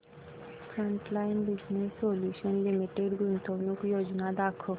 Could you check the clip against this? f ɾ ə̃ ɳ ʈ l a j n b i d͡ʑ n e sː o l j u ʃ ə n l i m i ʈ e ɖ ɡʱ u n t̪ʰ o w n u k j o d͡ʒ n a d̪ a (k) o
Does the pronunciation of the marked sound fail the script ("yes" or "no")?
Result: yes